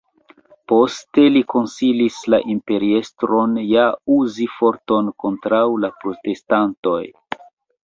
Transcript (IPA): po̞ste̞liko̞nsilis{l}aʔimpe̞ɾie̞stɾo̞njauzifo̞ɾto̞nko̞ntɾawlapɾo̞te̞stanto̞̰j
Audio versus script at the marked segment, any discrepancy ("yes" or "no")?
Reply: no